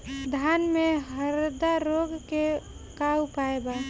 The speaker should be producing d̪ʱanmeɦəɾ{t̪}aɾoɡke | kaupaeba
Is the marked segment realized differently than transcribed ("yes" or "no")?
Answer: yes